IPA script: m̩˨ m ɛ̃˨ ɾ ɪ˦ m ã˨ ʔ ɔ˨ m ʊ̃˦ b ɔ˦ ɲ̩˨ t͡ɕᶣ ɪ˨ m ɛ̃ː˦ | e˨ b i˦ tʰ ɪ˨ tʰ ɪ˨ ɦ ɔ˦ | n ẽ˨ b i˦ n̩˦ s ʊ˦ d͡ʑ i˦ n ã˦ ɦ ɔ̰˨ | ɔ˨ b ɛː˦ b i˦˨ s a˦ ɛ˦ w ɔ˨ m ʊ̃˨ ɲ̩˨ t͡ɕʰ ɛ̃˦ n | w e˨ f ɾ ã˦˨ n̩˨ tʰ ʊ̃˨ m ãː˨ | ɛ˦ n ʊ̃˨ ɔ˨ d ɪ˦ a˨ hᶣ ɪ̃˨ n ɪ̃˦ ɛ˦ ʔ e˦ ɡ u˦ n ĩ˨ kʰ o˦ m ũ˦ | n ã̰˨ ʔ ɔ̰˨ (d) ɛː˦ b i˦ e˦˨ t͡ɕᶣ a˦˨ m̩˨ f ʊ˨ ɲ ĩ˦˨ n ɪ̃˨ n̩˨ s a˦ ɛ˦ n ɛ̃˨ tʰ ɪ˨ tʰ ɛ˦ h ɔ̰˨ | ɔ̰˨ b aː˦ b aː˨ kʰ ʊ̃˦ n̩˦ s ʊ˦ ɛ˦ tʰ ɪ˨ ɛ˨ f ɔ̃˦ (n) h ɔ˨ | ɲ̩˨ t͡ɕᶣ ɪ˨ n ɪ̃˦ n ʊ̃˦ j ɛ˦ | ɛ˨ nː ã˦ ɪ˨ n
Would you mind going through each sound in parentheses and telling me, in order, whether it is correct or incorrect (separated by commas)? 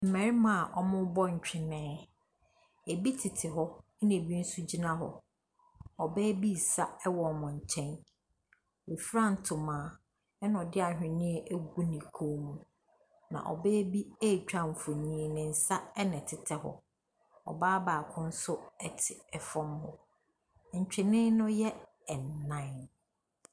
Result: incorrect, incorrect